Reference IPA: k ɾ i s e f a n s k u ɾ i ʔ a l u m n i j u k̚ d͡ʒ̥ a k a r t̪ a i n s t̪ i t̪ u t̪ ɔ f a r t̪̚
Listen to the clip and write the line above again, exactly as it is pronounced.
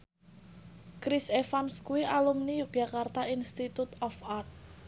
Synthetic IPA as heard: k ɾ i s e f a n s k u i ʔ a l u m n i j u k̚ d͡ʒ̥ a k a r t̪ a i n s t̪ i t̪ u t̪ ɔ f a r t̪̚